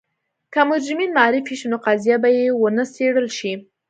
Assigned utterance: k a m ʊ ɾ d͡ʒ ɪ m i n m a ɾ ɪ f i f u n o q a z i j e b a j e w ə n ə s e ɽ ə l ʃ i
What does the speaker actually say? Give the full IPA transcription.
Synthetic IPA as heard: k a m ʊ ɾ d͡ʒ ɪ m i n m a ɾ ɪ f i ʃ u n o q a z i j a b a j e w ə n ə s e ɽ ə l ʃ i